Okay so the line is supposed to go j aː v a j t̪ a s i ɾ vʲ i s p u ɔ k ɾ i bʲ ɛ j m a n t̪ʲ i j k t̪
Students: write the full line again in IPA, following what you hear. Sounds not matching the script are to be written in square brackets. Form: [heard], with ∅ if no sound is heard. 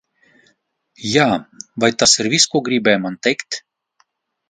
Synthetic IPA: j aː v a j t̪ a s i ɾ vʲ i s [k] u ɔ [ɡ] ɾ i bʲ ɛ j m a n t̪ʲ [ɛ] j k t̪